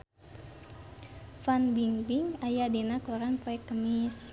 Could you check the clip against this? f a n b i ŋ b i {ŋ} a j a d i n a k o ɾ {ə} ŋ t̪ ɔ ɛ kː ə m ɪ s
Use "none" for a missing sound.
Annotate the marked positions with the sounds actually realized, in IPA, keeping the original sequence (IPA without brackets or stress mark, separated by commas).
ŋ, a